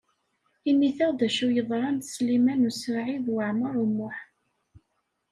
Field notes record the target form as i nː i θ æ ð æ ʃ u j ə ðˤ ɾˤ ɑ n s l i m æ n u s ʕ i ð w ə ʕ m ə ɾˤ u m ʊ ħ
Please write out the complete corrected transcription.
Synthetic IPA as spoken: i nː i θ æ ð æ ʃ u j ə ðˤ ɾˤ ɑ n s l i m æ n u s ʕ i ð w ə ʕ m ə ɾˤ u m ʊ ħ

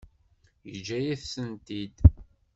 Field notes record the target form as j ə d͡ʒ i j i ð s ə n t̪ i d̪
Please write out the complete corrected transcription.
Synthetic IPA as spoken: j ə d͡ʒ æ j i θ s ə n t̪ i d̪

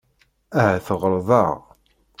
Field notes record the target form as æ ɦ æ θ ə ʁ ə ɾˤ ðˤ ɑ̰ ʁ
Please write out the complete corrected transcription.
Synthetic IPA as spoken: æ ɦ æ θ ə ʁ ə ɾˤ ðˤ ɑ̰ ʁ

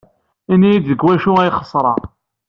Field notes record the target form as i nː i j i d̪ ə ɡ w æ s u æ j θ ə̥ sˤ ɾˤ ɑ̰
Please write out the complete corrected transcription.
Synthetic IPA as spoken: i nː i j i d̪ ə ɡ w æ ʃ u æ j χ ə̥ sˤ ɾˤ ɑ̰

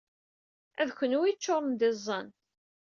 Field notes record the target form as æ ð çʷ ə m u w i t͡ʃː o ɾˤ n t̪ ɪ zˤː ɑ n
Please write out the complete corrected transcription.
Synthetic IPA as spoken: æ ð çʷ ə n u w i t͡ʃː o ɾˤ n d̪ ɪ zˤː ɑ n

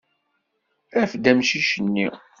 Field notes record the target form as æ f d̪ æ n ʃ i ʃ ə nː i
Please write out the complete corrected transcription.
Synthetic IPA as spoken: æ f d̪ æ m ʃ i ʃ ə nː i

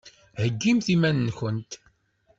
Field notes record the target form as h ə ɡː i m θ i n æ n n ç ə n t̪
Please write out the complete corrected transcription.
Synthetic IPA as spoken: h ə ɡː i m θ i m æ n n ç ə n t̪

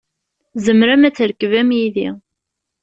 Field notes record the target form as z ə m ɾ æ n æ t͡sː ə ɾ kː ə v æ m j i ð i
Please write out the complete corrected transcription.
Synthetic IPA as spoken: z ə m ɾ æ m æ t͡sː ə ɾ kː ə v æ m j i ð i

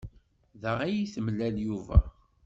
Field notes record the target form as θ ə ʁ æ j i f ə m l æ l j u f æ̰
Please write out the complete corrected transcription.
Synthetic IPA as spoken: ð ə ʁ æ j i θ ə m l æ l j u v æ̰

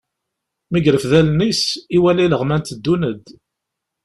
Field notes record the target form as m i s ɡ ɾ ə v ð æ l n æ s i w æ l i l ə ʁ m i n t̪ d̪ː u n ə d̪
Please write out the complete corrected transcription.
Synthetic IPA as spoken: m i ɡ ɾ ə f ð æ l n i s i w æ l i l ə ʁ m æ n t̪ d̪ː u n ə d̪

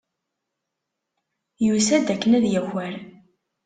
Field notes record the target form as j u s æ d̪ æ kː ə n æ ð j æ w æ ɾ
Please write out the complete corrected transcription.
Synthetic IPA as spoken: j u s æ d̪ æ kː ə n æ ð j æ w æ ɾ

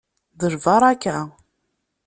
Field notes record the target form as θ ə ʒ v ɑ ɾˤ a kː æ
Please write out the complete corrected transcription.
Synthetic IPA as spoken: ð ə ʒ v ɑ ɾˤ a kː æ

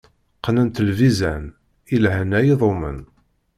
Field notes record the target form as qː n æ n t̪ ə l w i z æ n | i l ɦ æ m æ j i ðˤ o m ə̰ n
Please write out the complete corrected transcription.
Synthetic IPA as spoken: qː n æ n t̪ ə l v i z æ n | i l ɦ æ n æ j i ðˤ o m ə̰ n

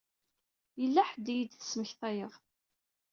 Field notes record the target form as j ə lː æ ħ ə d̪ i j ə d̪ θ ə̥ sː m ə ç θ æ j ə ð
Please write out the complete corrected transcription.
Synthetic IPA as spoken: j ə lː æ ħ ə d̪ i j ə d̪ θ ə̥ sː m ə ç θ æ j ə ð

